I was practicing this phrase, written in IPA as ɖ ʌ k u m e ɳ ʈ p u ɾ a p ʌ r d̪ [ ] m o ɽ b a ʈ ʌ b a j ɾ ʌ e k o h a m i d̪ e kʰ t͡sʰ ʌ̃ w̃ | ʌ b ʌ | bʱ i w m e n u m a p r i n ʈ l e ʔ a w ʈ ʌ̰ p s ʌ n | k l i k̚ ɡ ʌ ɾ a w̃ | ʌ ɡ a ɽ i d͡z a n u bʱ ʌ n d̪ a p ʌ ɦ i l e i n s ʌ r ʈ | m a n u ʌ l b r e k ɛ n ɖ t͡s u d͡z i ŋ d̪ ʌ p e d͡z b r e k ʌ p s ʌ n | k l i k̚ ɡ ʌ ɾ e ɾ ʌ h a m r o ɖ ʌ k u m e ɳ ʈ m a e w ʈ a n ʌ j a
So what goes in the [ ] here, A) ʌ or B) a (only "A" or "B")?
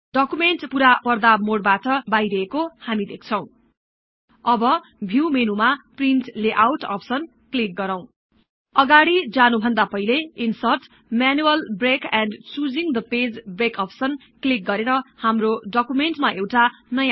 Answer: B